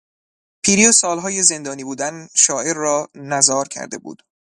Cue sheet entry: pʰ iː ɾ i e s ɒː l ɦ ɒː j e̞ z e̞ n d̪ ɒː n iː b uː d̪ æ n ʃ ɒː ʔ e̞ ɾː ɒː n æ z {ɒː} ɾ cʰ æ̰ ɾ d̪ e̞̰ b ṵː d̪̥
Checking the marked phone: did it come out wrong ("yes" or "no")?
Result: no